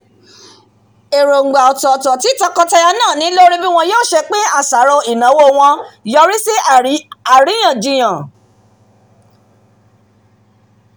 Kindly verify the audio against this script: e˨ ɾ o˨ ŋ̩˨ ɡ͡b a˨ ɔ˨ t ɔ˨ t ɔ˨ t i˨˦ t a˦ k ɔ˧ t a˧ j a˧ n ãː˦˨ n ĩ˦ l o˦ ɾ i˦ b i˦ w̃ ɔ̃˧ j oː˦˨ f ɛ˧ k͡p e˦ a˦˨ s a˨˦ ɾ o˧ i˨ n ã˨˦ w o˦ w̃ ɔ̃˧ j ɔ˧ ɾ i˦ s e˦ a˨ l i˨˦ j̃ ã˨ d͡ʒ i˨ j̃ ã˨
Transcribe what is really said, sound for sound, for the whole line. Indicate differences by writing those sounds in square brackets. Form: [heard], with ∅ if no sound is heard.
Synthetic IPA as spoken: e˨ ɾ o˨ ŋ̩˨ ɡ͡b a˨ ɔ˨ t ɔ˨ t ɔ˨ t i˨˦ t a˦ k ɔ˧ t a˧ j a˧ n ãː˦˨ n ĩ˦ l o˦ ɾ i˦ b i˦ w̃ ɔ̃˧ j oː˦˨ [ʃ] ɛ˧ k͡p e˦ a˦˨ s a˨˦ ɾ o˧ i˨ n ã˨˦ w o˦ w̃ ɔ̃˧ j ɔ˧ ɾ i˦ s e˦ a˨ [ɾ] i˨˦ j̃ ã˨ d͡ʒ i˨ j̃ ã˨

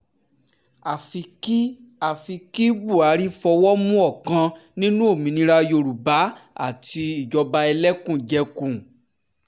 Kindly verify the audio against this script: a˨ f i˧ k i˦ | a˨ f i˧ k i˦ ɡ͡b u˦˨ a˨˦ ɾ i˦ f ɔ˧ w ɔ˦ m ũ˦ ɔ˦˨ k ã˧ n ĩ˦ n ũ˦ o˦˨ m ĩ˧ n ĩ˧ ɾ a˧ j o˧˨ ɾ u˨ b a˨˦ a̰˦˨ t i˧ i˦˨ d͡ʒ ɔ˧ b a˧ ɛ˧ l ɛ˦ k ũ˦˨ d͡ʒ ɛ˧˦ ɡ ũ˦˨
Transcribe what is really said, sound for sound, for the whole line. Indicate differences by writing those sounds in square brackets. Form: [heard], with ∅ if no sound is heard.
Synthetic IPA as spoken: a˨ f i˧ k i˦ | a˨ f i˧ k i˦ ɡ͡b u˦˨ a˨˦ ɾ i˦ f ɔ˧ w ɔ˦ m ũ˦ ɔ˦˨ k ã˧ n ĩ˦ n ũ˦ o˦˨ m ĩ˧ n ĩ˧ ɾ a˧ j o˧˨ ɾ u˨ b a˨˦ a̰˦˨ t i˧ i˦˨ d͡ʒ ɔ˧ b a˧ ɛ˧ l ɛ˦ k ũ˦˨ d͡ʒ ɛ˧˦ [k] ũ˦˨

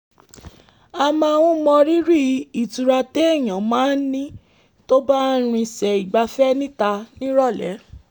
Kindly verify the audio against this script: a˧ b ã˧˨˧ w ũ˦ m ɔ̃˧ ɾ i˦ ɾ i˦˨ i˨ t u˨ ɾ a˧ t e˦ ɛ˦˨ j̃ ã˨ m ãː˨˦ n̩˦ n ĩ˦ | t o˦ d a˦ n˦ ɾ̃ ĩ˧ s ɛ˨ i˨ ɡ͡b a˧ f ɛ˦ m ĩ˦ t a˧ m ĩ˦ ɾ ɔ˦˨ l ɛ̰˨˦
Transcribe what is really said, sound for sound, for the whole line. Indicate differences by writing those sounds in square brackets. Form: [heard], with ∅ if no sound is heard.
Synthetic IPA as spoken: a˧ [m] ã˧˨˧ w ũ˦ m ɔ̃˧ ɾ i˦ ɾ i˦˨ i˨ t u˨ ɾ a˧ t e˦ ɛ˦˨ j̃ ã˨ m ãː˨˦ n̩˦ n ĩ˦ | t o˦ [b] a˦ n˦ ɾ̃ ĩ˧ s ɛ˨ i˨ ɡ͡b a˧ f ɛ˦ [n] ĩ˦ t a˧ [n] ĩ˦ ɾ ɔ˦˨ l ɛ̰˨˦

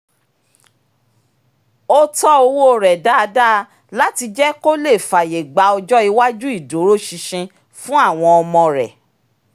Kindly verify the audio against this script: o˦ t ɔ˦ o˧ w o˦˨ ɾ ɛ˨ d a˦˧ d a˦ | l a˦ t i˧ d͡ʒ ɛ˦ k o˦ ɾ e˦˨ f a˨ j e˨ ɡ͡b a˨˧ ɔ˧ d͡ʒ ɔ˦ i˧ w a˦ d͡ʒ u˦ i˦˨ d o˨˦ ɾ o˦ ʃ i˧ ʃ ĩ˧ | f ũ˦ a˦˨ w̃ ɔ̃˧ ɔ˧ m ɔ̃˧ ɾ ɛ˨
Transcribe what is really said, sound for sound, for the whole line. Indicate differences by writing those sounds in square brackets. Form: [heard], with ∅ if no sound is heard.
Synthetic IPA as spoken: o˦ t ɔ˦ o˧ w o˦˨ ɾ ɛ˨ d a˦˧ d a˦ | l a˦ t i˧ d͡ʒ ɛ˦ k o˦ [l] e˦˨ f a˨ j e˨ ɡ͡b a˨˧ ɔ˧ d͡ʒ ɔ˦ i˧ w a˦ d͡ʒ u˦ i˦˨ d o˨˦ ɾ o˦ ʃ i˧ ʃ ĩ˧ | f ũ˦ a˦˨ w̃ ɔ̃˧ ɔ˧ m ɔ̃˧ ɾ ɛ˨

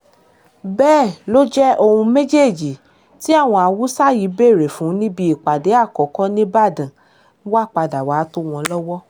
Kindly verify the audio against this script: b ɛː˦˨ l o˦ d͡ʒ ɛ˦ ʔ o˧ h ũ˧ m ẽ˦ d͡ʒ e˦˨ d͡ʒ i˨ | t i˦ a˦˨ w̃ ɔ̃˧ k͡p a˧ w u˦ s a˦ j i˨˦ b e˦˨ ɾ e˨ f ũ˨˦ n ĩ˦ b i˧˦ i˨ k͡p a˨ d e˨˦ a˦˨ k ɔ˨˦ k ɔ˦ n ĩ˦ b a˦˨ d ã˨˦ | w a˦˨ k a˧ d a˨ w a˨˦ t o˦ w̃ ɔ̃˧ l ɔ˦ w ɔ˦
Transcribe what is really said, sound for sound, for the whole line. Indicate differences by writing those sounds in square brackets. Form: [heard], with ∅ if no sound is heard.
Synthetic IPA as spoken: b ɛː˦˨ l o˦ d͡ʒ ɛ˦ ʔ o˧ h ũ˧ m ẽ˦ d͡ʒ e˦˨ d͡ʒ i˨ | t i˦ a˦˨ w̃ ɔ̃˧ [∅] a˧ w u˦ s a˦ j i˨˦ b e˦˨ ɾ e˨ f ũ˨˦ n ĩ˦ b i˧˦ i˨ k͡p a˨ d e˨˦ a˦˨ k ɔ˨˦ k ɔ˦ n ĩ˦ b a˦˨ d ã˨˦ | w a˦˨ [k͡p] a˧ d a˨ w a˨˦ t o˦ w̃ ɔ̃˧ l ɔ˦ w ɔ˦

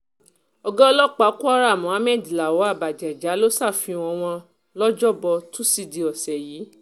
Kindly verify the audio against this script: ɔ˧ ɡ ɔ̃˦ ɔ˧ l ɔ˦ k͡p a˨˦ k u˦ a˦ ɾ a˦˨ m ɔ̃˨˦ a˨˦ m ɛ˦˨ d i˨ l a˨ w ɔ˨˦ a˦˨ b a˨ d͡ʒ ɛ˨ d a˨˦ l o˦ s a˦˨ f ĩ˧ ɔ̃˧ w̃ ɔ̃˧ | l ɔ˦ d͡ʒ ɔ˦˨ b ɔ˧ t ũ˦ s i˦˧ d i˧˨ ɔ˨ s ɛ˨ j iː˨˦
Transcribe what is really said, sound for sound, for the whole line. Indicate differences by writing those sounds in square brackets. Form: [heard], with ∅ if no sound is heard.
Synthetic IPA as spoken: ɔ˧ ɡ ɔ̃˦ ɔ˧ l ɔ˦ k͡p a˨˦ k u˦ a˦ ɾ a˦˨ m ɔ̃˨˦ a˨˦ m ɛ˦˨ d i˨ l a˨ w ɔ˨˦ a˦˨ b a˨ d͡ʒ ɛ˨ [d͡ʒ] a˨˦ l o˦ s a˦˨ f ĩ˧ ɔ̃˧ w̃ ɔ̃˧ | l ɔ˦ d͡ʒ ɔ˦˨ b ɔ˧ t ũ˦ s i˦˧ d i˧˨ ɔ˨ s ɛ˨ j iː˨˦

